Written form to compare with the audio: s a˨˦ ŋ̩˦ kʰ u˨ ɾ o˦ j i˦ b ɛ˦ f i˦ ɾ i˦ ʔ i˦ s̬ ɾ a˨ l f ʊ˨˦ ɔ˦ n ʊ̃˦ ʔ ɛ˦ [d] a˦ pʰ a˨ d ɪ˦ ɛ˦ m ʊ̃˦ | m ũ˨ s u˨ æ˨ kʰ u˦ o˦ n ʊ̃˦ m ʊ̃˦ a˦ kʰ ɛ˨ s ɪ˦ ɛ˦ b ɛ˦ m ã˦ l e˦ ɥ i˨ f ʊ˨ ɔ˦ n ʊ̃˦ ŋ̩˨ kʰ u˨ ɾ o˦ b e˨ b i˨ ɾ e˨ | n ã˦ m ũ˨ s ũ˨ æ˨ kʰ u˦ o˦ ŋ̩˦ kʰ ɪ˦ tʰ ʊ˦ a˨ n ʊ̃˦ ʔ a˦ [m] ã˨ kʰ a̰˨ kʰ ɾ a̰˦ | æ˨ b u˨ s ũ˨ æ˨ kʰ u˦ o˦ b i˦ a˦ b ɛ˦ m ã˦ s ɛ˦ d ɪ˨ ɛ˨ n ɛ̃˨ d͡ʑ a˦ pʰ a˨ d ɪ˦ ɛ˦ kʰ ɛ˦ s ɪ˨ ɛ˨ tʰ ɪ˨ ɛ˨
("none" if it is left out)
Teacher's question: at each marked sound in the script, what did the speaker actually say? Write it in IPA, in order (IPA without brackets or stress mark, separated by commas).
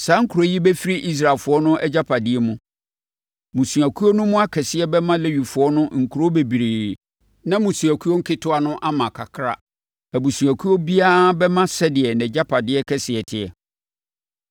d͡ʑ, m